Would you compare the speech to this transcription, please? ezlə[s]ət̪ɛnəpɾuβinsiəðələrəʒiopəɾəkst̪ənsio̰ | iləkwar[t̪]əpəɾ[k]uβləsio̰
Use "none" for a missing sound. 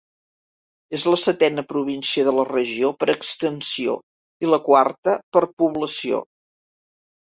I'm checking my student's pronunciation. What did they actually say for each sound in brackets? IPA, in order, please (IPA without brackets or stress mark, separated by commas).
s, t̪, p